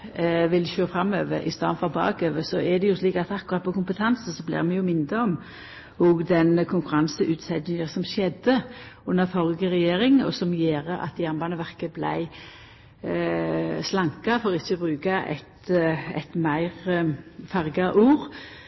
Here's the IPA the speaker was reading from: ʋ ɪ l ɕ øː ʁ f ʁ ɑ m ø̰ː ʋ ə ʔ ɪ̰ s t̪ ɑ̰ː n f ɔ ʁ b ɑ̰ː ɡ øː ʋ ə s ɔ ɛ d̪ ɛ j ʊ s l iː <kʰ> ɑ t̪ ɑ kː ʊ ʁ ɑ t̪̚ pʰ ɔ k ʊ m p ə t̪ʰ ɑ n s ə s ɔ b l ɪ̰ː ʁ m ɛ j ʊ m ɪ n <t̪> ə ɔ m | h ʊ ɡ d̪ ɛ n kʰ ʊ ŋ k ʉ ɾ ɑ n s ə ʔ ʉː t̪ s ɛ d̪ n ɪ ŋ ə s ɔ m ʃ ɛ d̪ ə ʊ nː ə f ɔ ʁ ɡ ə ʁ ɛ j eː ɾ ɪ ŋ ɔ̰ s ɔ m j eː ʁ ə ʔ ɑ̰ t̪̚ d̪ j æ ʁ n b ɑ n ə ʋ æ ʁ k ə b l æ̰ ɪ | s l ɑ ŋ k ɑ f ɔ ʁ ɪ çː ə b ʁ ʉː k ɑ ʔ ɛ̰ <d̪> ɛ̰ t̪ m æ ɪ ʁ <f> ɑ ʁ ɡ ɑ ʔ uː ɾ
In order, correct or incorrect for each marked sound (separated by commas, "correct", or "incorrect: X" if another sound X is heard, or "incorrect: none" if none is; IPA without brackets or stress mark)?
incorrect: k, incorrect: d̪, incorrect: t̪, correct